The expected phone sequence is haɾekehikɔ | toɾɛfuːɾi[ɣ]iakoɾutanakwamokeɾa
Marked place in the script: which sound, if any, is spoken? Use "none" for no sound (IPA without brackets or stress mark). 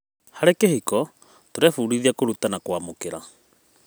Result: ð